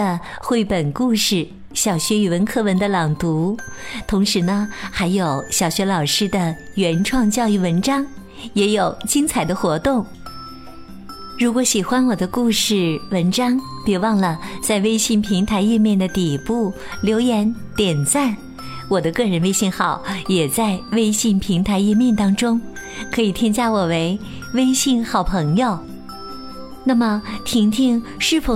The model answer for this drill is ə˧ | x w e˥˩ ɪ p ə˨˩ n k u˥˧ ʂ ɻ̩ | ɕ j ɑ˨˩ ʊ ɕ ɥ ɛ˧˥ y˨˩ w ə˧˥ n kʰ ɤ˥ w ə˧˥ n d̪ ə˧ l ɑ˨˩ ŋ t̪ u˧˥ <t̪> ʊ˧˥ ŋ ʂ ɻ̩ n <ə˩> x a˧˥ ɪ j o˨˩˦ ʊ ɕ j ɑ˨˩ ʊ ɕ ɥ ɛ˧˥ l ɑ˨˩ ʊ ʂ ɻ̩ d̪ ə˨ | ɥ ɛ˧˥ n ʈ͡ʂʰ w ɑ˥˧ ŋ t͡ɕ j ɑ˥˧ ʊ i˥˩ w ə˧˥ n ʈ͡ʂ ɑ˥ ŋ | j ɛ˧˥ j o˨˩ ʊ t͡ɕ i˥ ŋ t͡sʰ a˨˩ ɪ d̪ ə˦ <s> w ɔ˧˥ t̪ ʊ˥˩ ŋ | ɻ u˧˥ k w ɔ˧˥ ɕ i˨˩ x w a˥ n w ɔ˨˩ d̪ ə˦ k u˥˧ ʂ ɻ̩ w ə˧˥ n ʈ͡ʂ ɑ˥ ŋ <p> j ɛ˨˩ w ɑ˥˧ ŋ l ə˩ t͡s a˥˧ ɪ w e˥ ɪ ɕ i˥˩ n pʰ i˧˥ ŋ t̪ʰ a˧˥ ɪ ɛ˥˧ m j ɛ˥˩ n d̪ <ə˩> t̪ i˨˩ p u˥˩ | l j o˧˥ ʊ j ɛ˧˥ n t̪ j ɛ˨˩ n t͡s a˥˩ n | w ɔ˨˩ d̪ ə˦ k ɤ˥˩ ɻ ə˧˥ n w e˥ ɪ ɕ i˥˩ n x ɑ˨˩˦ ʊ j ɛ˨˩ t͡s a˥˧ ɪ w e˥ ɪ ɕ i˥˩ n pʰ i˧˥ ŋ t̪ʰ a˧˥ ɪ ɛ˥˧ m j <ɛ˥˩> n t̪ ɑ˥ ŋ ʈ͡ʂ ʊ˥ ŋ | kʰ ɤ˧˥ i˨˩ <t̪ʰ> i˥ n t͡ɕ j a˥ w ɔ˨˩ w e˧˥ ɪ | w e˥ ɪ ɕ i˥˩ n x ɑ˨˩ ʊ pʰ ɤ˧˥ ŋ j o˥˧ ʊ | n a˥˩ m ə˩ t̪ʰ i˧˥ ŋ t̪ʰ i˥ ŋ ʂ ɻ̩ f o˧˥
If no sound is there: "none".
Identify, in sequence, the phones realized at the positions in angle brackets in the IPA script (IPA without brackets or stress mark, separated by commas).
t̪ʰ, ə˧, x, p, ə˩, ɛ˥˩, t̪ʰ